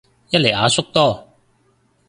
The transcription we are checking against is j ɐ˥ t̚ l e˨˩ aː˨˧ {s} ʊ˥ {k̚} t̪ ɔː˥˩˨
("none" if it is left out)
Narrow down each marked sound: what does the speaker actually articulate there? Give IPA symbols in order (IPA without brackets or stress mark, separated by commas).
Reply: s, k̚